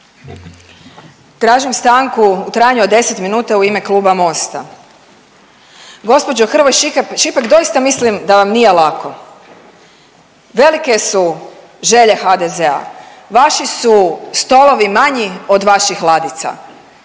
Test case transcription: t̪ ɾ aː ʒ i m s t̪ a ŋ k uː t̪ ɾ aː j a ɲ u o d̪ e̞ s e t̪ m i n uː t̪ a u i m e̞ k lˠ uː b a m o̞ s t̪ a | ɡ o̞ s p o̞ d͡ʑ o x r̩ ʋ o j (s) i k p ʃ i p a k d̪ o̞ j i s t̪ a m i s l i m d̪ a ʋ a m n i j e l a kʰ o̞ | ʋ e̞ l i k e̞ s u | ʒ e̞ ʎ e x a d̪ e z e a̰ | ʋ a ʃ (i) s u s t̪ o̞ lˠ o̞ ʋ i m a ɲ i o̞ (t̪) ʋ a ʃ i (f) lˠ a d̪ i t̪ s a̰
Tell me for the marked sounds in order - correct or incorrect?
incorrect, correct, incorrect, incorrect

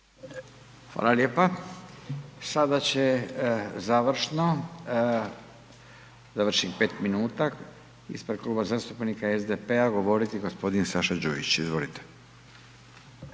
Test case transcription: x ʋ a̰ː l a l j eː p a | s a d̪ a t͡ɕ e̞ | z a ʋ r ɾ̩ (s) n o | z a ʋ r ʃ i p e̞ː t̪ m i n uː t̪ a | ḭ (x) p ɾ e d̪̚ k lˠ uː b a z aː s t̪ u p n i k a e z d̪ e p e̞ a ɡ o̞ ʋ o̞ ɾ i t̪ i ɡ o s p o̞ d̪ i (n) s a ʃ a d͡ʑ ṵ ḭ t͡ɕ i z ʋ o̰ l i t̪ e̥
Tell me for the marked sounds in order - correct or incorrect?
incorrect, incorrect, correct

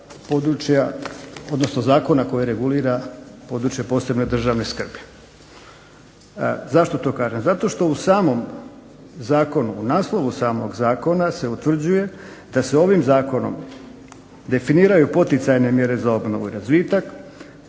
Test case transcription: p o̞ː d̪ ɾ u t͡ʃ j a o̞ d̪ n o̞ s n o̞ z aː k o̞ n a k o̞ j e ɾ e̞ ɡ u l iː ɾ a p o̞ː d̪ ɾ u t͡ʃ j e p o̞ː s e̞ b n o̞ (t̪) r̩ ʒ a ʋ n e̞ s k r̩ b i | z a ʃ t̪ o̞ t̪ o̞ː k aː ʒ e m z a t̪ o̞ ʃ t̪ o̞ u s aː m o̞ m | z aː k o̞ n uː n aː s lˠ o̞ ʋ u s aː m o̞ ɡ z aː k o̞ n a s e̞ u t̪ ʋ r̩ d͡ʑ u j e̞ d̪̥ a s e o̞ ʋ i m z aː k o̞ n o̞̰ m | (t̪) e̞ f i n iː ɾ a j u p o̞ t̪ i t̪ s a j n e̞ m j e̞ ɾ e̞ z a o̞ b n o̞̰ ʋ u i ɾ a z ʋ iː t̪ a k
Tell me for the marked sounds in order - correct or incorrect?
incorrect, incorrect

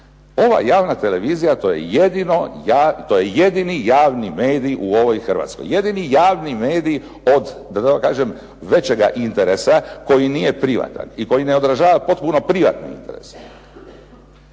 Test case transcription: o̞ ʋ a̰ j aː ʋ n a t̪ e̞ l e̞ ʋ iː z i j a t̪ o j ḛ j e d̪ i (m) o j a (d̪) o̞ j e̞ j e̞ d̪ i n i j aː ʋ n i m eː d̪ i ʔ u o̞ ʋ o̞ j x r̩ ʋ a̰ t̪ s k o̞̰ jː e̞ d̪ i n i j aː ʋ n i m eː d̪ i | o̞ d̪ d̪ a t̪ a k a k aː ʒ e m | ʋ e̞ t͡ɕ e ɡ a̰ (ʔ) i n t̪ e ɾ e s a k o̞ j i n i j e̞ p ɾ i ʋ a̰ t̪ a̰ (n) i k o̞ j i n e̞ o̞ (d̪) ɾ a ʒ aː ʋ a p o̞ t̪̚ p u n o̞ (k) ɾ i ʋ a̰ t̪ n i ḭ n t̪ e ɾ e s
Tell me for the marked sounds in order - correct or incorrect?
incorrect, incorrect, correct, correct, correct, incorrect

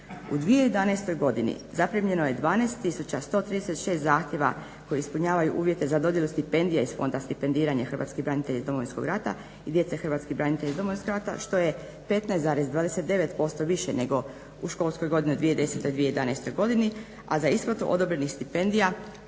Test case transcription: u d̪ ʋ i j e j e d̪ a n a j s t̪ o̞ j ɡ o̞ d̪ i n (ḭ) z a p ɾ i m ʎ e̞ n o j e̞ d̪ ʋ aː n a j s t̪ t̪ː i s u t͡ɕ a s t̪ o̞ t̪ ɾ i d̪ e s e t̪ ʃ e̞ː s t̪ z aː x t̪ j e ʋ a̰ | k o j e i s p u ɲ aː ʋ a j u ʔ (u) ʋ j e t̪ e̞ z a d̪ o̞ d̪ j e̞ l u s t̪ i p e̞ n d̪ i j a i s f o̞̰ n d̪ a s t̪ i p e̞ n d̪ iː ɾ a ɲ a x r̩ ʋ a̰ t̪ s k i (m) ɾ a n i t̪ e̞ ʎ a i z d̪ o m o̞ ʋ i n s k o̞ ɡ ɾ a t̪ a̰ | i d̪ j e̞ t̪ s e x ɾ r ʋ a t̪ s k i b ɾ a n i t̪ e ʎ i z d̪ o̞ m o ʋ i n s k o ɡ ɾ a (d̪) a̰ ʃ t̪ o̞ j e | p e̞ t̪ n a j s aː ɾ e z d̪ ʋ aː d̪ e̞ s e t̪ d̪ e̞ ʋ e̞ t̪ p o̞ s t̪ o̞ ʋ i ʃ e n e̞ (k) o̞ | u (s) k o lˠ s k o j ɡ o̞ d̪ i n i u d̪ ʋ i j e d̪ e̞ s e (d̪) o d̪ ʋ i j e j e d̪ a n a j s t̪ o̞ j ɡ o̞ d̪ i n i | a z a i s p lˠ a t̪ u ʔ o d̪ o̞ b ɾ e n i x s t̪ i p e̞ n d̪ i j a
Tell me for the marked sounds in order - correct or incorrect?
correct, incorrect, incorrect, incorrect, incorrect, incorrect, incorrect

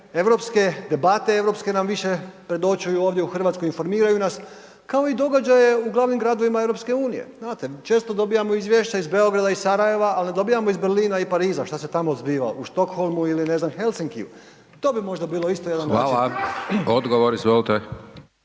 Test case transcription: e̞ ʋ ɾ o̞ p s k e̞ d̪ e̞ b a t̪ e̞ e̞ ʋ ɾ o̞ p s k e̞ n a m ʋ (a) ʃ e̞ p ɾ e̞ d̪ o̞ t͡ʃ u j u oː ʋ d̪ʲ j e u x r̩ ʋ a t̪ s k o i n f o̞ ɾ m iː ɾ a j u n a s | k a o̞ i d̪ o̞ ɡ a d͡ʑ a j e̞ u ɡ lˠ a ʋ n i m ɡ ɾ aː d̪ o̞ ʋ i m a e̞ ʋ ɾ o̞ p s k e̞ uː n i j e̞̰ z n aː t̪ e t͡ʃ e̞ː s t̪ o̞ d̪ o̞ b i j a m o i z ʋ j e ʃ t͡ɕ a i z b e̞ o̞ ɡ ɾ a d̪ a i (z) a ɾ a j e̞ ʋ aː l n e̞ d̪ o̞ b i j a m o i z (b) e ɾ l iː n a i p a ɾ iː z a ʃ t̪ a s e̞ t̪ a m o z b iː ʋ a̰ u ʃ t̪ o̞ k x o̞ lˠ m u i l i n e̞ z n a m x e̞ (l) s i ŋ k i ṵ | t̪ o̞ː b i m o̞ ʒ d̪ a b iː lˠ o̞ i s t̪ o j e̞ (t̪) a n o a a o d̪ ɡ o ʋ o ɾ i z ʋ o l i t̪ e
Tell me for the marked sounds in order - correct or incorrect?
incorrect, incorrect, correct, correct, incorrect

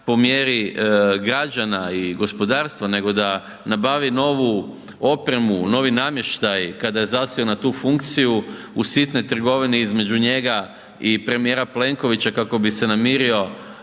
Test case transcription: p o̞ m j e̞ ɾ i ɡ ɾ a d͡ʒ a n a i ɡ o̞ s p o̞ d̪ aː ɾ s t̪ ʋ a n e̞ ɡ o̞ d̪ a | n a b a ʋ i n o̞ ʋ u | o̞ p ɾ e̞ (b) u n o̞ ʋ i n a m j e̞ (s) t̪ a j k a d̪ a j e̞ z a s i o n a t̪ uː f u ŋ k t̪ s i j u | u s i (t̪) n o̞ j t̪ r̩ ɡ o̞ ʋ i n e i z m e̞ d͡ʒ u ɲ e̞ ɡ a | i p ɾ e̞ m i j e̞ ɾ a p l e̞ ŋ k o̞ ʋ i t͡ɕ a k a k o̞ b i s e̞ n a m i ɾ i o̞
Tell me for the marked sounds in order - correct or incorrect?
incorrect, incorrect, correct

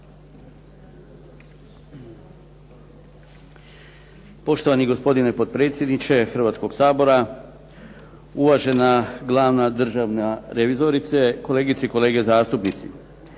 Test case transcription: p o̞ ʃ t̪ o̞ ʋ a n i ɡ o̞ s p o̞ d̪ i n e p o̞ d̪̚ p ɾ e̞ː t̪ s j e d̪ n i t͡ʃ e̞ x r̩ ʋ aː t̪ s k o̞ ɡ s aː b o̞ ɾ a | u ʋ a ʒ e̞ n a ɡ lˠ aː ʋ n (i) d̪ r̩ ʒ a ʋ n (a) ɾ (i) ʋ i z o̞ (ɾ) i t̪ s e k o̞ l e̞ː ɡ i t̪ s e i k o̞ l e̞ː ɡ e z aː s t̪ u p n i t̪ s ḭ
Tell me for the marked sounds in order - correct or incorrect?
incorrect, correct, incorrect, correct

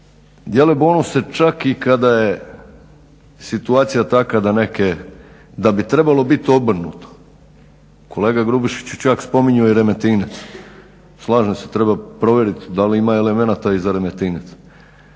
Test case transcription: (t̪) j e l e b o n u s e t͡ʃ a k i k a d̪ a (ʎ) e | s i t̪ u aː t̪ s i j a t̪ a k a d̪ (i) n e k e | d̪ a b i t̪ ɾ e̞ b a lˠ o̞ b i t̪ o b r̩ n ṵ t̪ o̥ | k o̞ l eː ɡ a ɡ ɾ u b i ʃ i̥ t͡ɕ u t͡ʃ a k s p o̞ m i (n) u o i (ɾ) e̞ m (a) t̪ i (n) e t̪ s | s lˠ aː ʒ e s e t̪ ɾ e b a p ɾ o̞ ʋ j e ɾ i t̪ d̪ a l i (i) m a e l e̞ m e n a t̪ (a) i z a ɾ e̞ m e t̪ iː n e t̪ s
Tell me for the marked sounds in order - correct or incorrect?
incorrect, incorrect, incorrect, incorrect, correct, incorrect, correct, correct, correct

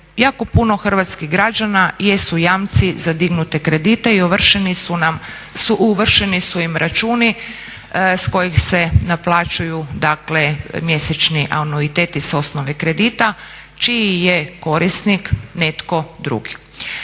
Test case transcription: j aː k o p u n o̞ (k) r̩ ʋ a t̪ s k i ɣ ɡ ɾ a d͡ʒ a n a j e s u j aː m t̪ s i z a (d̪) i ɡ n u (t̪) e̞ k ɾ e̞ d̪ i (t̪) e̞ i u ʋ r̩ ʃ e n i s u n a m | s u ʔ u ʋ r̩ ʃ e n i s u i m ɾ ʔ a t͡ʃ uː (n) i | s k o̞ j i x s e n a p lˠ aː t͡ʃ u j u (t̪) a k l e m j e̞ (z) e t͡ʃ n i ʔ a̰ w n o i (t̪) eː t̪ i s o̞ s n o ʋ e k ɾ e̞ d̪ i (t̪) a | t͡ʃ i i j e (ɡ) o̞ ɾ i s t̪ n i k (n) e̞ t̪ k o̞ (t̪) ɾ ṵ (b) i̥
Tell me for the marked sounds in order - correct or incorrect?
incorrect, correct, correct, correct, correct, incorrect, incorrect, correct, correct, incorrect, correct, incorrect, incorrect

